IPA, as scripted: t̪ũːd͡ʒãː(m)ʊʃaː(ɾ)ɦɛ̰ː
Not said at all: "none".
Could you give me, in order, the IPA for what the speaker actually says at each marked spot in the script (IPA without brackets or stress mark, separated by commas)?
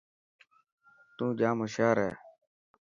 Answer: m, ɾ